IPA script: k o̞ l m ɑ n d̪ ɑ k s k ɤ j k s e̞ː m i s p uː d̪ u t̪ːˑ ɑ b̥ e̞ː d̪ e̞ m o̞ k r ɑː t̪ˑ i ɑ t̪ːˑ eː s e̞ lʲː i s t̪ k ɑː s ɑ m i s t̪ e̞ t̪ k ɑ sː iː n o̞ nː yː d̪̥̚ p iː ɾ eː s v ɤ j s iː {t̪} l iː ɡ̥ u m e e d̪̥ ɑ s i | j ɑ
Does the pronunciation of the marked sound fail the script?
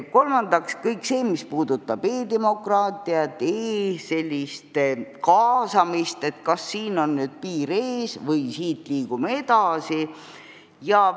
no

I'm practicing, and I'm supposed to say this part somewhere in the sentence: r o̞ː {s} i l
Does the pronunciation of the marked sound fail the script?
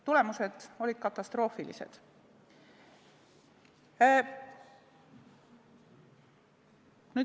yes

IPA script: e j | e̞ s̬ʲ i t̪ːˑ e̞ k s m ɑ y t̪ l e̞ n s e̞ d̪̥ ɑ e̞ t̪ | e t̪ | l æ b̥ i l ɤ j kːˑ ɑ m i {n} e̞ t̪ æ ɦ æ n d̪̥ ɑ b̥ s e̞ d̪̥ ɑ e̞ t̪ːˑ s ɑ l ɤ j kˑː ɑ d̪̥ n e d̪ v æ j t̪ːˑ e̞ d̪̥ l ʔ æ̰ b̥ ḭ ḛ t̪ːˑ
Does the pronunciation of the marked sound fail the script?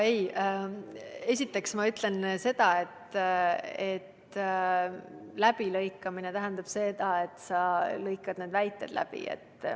no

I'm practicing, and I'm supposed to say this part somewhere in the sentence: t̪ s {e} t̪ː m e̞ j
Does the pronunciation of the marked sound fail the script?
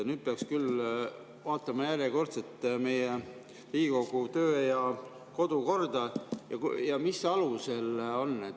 no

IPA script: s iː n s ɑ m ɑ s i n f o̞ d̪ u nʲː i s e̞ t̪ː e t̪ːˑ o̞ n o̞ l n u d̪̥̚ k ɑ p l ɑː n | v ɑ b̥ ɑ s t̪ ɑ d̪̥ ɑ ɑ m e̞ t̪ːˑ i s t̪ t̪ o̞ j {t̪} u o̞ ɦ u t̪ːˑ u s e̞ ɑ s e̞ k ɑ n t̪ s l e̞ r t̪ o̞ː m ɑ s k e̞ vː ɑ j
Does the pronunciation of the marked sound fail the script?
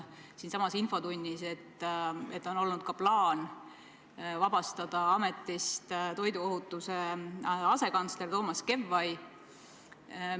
yes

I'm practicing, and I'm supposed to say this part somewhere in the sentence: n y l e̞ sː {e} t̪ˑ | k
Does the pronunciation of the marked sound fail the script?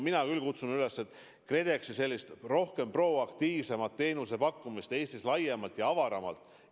no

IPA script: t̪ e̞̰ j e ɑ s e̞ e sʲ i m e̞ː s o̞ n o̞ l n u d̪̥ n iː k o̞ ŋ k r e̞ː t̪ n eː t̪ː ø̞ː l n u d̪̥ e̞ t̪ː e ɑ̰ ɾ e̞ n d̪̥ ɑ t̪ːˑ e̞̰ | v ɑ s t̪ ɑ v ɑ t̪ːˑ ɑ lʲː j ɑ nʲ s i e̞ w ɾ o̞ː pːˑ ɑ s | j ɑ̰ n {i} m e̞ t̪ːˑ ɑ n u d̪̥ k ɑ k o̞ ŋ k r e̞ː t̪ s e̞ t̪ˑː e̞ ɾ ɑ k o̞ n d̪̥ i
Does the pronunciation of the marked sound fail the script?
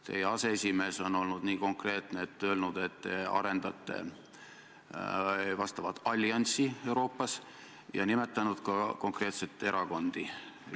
no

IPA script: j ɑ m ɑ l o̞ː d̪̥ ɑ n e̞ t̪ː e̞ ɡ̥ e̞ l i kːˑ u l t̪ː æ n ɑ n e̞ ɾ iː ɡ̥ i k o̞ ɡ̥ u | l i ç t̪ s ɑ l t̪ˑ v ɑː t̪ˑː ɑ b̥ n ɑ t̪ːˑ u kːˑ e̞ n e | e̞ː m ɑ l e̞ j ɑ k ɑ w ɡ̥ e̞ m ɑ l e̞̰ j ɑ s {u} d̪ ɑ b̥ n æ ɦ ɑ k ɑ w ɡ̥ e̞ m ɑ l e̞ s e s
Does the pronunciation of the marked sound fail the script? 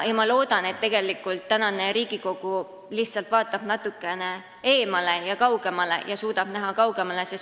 yes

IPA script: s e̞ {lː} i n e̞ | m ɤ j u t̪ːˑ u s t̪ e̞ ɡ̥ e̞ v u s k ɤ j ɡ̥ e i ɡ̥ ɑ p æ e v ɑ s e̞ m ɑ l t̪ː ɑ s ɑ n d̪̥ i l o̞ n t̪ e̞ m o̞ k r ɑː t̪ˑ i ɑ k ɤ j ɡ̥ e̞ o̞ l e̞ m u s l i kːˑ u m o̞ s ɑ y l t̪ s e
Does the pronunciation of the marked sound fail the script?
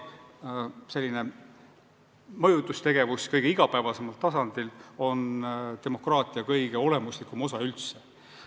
no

